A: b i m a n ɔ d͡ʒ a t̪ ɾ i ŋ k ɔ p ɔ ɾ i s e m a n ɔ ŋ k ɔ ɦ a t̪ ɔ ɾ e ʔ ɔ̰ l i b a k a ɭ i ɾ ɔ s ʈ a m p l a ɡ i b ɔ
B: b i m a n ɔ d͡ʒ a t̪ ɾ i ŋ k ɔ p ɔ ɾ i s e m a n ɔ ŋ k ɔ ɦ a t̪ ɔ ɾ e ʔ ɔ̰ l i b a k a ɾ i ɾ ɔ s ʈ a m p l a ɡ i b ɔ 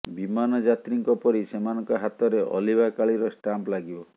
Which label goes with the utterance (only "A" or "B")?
A